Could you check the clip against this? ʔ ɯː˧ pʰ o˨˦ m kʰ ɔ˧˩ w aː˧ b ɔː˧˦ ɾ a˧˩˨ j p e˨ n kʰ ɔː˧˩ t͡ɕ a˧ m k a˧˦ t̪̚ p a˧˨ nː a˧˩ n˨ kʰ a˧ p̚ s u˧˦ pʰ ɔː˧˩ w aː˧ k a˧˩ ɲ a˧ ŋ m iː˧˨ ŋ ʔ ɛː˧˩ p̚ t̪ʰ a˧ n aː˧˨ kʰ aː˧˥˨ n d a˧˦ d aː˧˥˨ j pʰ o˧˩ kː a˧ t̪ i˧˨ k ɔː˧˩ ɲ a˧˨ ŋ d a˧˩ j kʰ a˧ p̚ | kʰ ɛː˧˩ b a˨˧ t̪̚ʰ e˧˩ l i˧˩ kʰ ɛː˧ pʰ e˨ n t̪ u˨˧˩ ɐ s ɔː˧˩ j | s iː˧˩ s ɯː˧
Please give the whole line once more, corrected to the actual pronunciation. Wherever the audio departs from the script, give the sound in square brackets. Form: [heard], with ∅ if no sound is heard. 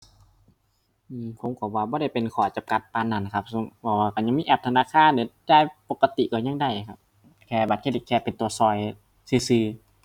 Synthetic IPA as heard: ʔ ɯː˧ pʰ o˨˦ m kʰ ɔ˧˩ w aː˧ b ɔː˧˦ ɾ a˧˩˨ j p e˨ n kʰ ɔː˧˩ t͡ɕ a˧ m k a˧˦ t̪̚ p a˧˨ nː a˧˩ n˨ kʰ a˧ p̚ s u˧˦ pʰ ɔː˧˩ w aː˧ k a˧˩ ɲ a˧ ŋ m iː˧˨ [∅] ʔ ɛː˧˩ p̚ t̪ʰ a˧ n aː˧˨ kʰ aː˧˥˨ n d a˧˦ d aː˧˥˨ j [p] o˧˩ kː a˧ t̪ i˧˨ k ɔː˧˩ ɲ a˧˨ ŋ d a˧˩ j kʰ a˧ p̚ | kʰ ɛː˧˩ b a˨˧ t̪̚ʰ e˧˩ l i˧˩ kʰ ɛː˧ [p] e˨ n t̪ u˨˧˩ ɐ s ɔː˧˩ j | s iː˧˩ s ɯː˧